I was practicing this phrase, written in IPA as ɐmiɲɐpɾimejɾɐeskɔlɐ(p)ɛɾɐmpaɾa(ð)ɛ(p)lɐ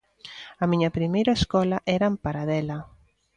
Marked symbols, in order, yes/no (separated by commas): no, yes, no